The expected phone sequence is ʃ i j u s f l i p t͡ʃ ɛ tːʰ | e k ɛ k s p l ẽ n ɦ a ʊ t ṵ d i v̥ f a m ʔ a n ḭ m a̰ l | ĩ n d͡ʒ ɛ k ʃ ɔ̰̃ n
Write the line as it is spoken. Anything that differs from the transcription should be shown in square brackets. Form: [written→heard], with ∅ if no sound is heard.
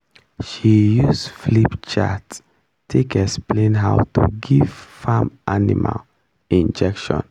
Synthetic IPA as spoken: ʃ i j u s f l i p t͡ʃ [ɛ→a] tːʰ | e k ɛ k s p l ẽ n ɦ a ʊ t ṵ [d→ɡ] i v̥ f a m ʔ a n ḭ m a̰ l | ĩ n d͡ʒ ɛ k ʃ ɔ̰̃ n